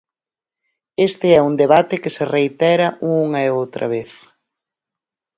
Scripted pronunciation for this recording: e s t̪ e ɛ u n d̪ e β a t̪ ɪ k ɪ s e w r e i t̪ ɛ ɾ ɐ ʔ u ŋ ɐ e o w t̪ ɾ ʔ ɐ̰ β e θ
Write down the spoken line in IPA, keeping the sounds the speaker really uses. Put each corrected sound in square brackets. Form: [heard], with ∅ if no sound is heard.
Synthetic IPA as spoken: e s t̪ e ɛ u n d̪ e β a t̪ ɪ k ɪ s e [∅] r e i t̪ ɛ ɾ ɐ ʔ u ŋ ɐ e o w t̪ ɾ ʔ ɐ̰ β e θ